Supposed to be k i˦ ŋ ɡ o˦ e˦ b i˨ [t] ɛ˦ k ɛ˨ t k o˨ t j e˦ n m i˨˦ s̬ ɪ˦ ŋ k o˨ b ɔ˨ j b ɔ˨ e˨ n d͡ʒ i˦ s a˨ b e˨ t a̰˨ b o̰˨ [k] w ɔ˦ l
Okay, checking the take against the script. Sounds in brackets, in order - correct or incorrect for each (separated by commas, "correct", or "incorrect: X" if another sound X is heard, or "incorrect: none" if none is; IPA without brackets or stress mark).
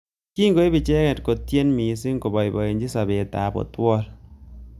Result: incorrect: t͡ʃ, incorrect: t